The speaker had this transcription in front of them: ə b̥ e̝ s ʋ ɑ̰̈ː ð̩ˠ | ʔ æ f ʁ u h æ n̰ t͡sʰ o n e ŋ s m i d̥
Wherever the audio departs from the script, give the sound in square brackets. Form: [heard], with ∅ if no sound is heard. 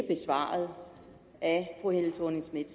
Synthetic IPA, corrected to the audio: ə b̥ e̝ s ʋ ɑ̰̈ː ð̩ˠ | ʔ æ f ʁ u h [e] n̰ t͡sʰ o n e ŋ s m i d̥